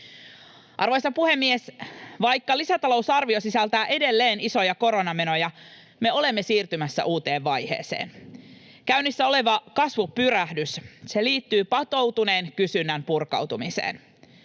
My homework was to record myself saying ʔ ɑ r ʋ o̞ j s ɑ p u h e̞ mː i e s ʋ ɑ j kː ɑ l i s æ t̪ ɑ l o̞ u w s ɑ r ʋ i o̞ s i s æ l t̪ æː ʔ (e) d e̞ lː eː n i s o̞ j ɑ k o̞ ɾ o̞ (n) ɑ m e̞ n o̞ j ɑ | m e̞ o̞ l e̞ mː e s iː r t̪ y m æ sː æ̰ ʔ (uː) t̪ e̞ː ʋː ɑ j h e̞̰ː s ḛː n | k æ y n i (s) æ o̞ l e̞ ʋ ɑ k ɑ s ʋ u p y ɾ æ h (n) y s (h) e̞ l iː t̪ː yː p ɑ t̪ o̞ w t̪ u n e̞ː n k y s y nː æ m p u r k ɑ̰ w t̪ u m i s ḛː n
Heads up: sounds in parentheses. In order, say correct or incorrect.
correct, correct, correct, incorrect, incorrect, incorrect

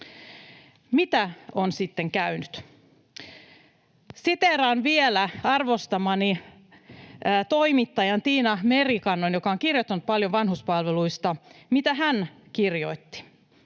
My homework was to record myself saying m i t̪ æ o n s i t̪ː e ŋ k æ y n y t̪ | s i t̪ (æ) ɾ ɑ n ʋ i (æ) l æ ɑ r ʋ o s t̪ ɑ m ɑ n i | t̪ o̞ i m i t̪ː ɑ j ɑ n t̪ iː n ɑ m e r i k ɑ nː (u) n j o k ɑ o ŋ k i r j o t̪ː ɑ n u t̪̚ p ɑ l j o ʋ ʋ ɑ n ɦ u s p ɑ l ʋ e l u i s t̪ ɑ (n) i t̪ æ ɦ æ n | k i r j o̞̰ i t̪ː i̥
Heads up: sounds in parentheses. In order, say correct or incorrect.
incorrect, incorrect, incorrect, incorrect

